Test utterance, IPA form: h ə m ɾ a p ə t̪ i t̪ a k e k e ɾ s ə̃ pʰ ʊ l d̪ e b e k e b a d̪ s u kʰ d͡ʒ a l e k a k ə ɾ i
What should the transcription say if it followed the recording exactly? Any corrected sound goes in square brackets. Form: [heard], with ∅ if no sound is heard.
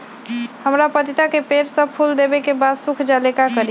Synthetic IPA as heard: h ə m ɾ a p ə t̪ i t̪ a k e [p] e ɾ s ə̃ pʰ [u] l d̪ e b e k e b a d̪ s u kʰ d͡ʒ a l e k a k ə ɾ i